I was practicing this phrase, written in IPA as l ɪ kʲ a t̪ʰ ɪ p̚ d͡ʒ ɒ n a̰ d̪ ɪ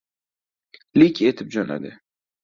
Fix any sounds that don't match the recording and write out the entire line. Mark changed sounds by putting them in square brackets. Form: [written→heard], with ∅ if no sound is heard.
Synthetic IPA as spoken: l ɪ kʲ [a→e] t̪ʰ ɪ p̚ d͡ʒ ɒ n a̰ d̪ ɪ